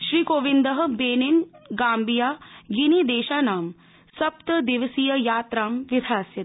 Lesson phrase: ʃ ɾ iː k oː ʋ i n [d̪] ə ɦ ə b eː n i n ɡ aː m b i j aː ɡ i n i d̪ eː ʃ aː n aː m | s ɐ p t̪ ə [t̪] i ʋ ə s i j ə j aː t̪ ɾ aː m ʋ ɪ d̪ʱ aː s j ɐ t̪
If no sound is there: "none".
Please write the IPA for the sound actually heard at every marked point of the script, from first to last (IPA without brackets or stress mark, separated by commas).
d̪, d̪